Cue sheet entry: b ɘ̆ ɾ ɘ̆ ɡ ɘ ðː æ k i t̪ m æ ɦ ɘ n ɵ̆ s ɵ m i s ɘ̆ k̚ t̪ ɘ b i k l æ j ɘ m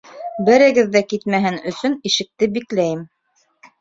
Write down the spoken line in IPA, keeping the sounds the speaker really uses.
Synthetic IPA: b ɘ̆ ɾ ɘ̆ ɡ ɘ ðː æ k i t̪ m æ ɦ ɘ n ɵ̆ s ɵ n i ʃ ɘ̆ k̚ t̪ ɘ b i k l æ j ɘ m